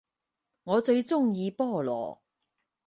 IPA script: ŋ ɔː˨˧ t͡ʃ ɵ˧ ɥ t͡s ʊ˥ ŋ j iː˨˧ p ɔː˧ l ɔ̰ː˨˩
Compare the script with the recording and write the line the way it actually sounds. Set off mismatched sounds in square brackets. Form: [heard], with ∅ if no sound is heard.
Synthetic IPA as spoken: ŋ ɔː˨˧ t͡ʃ ɵ˧ ɥ t͡s ʊ˥ ŋ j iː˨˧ p [ɔː˥˩] l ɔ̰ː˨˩